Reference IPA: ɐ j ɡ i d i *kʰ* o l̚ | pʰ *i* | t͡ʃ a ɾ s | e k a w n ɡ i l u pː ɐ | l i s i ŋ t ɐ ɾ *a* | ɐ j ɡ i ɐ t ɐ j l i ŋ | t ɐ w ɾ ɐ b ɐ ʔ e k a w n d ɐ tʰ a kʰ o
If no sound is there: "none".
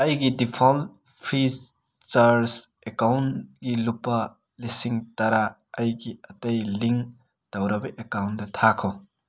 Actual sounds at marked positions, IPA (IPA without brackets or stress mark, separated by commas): pʰ, i, a